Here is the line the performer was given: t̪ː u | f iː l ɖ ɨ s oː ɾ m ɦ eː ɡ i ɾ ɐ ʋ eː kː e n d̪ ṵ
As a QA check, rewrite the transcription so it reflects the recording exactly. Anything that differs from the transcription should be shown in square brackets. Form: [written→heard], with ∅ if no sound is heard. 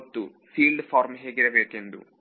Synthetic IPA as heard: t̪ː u | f iː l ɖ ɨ [s→f] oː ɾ m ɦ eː ɡ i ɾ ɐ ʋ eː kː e n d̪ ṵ